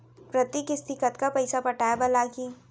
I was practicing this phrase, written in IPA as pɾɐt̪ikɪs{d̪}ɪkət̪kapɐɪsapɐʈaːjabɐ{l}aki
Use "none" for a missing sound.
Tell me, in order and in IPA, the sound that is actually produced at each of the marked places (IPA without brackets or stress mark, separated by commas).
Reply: t̪, l